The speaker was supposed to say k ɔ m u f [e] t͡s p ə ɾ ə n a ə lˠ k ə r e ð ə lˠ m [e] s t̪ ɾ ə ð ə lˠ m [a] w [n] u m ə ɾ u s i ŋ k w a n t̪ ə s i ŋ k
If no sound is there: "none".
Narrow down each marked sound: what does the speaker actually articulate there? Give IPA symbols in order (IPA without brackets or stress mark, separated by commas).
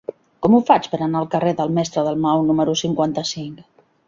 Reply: a, ɛ, a, n